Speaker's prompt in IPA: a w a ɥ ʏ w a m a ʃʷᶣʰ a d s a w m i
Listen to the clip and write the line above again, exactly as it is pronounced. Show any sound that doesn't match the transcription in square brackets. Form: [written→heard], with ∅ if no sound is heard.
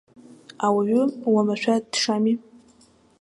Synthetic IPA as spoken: a w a ɥ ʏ w a m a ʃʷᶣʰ a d [s→ʂ] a [w→∅] m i